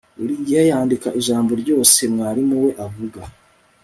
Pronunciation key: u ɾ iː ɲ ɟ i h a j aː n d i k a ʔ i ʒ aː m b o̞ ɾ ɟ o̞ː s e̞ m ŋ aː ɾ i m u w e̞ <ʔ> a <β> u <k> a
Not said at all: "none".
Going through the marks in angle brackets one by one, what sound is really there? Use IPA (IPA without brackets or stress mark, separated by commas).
ʔ, v, ɡ